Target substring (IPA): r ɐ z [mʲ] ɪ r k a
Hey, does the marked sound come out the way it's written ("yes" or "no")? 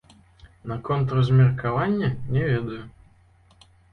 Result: yes